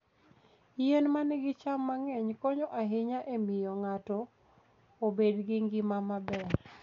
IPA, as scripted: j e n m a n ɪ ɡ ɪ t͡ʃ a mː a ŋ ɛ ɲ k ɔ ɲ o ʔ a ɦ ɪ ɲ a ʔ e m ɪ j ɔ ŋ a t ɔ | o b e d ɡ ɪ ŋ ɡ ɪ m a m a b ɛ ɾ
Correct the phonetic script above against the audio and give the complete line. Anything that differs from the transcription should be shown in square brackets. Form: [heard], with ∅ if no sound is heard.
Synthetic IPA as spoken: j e n m a n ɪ ɡ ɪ t͡ʃ a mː a ŋ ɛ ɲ k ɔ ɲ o ʔ a ɦ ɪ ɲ a ʔ e m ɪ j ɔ ŋ a t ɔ | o b e d ɡ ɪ ŋ ɡ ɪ m a m a b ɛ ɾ